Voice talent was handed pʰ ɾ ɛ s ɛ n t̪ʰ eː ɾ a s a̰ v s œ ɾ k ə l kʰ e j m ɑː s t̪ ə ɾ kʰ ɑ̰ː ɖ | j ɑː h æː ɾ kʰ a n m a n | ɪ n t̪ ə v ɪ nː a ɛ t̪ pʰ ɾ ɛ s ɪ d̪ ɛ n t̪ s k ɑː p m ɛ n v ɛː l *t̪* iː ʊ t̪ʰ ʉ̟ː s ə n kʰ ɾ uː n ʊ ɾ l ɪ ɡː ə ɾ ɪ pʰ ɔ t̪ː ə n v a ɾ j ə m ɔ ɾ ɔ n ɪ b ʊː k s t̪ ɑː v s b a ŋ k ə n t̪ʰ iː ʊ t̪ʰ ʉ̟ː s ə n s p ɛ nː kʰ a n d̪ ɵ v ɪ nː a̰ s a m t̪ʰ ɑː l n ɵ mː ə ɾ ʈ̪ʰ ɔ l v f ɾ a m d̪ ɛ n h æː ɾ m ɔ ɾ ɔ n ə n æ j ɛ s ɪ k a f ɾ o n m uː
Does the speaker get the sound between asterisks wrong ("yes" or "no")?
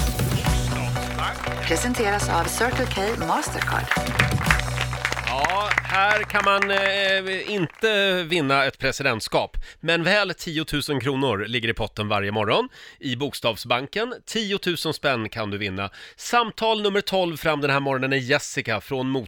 yes